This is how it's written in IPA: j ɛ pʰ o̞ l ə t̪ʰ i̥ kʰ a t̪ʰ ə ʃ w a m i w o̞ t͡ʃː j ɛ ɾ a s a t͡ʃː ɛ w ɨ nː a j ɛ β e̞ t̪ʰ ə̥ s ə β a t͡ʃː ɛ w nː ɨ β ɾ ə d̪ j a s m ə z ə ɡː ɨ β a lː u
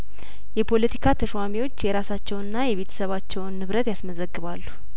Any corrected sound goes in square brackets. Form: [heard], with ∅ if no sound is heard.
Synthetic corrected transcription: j ɛ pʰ o̞ l ə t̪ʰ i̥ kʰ a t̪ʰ ə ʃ w a m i w o̞ t͡ʃː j ɛ ɾ a s a t͡ʃː ɛ w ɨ nː a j ɛ β e̞ t̪ʰ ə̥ s ə β a t͡ʃː ɛ w nː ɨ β ɾ ə [t̪] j a s m ə z ə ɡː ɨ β a lː u